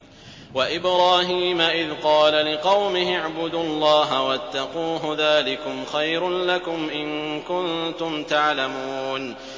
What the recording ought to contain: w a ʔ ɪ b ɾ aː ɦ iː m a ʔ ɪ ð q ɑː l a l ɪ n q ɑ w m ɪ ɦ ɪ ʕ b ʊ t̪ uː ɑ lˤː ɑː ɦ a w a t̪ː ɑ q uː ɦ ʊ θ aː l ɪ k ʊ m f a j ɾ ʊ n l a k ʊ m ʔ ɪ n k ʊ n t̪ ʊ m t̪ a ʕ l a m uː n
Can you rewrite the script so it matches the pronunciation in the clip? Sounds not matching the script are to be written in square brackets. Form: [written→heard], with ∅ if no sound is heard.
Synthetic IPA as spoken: w a ʔ ɪ b ɾ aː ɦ iː m a ʔ ɪ ð q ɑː l a l ɪ [n→∅] q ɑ w m ɪ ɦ ɪ ʕ b ʊ [t̪→d̪] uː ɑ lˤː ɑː ɦ a w a t̪ː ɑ q uː ɦ ʊ [θ→ð] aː l ɪ k ʊ m [f→x] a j ɾ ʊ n l a k ʊ m ʔ ɪ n k ʊ n t̪ ʊ m t̪ a ʕ l a m uː n